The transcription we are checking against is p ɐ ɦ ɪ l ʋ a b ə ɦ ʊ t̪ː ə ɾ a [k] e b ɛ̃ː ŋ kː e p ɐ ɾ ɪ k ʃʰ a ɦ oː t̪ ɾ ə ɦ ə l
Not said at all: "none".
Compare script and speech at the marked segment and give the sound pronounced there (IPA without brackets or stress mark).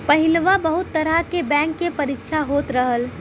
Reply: k